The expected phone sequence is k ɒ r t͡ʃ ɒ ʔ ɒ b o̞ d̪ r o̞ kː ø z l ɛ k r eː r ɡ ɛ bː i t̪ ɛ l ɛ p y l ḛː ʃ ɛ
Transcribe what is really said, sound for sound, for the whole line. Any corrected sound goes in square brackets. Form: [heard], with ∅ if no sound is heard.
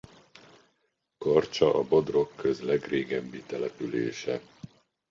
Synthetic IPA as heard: k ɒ r t͡ʃ ɒ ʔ ɒ b o̞ d̪ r o̞ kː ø z l ɛ [ɡ] r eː [∅] ɡ ɛ bː i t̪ ɛ l ɛ p y l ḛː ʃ ɛ